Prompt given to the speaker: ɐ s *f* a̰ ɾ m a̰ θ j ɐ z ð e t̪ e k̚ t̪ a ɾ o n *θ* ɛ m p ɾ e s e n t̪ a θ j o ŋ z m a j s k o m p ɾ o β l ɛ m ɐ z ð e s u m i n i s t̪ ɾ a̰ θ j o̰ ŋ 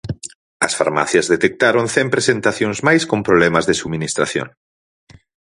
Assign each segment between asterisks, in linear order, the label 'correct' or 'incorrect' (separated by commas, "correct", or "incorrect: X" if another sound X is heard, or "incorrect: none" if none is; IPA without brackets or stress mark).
correct, correct